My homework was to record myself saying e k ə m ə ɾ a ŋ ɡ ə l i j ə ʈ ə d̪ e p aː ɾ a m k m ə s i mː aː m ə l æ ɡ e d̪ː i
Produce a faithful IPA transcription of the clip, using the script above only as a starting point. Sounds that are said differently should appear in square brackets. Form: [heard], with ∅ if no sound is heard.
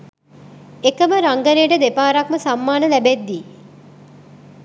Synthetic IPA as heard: e k ə m ə ɾ a ŋ ɡ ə [ɾ] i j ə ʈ ə d̪ e p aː ɾ a [∅] k m ə s [a] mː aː [n] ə l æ [b] e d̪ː i